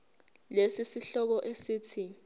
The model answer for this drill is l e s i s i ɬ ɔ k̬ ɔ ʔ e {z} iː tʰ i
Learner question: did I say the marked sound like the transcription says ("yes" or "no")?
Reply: no